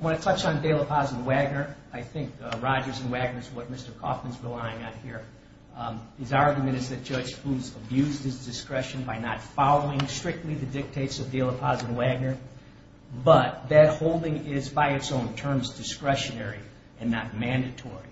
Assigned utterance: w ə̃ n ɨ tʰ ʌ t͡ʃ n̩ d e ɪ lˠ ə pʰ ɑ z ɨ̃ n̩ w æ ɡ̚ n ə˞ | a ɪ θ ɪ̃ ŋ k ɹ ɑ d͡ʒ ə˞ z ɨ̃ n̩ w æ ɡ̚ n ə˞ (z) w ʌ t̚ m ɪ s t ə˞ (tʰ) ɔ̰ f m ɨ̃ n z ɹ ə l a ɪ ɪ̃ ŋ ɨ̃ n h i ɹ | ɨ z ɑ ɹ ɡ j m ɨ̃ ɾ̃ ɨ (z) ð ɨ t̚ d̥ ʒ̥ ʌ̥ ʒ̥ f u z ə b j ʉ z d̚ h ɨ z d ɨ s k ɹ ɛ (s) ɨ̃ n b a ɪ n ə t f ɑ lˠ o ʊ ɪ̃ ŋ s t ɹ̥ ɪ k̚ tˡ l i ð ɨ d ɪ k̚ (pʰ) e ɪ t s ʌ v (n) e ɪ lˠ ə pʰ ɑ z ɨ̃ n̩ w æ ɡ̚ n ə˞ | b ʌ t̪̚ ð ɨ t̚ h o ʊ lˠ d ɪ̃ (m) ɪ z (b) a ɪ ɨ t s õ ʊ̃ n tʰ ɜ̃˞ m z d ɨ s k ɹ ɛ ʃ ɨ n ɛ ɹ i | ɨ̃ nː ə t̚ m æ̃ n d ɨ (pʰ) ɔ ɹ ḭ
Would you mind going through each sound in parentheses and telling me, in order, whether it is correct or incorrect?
correct, incorrect: kʰ, correct, incorrect: ʃ, incorrect: tʰ, incorrect: d, incorrect: ŋ, correct, incorrect: tʰ

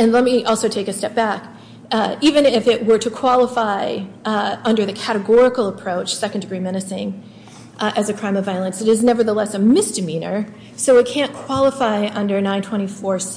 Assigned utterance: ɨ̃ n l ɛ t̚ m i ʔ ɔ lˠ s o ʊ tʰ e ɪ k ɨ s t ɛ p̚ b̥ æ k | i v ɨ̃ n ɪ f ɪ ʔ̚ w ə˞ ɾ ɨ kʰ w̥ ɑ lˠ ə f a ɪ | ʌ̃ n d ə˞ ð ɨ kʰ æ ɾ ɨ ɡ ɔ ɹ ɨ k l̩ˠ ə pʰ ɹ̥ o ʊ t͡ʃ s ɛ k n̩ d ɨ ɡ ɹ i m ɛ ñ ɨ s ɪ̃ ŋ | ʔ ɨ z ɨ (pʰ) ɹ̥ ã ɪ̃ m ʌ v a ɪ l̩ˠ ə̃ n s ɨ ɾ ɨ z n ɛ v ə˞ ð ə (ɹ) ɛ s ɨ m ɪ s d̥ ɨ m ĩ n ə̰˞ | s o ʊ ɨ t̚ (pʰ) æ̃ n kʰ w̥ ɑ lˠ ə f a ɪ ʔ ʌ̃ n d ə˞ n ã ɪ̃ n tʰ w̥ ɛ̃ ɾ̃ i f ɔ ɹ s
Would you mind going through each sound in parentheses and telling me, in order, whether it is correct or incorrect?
incorrect: kʰ, incorrect: l, incorrect: kʰ

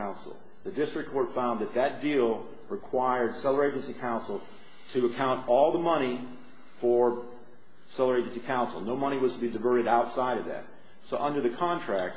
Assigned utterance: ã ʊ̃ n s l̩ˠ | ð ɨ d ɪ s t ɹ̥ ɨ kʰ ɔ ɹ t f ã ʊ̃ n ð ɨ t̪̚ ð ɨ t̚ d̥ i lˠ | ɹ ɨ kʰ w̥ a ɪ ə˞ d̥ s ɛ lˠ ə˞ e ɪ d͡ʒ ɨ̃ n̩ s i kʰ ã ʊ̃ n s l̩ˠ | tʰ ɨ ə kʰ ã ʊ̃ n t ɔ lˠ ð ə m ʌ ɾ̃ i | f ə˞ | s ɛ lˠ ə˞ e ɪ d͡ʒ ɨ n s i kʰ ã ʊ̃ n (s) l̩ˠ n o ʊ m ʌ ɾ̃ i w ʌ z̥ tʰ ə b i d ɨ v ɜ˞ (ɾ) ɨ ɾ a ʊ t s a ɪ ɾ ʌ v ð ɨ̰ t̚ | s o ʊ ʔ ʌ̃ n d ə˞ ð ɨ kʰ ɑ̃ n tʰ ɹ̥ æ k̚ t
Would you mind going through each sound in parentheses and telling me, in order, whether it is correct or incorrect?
correct, correct

